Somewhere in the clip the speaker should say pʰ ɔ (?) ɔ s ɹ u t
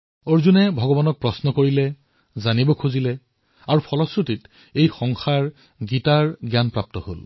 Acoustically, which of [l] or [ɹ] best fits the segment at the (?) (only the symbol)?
l